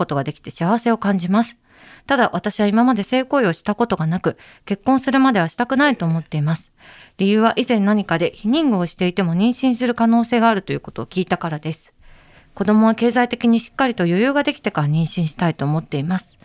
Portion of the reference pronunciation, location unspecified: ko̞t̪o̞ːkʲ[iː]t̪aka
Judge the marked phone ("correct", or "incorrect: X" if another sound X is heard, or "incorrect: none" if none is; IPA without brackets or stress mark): correct